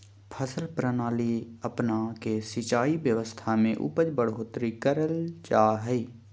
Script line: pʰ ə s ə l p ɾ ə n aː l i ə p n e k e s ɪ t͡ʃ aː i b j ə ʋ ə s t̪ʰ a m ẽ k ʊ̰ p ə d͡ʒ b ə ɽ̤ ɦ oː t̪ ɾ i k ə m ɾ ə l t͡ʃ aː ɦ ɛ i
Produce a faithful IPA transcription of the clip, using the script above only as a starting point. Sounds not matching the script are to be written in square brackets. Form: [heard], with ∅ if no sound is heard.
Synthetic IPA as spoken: pʰ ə s ə l p ɾ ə n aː l i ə p n [a] k e s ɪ t͡ʃ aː i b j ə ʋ ə s t̪ʰ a m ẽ [ʔ] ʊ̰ p ə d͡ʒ b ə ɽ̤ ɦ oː t̪ ɾ i k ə [∅] ɾ ə l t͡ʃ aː ɦ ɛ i